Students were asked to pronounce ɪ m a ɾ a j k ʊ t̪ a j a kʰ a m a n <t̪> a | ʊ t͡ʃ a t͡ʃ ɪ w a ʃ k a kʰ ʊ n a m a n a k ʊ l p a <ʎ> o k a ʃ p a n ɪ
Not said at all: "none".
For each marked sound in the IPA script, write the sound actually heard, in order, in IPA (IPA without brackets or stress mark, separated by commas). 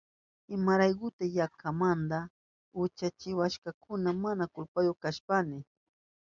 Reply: d̪, j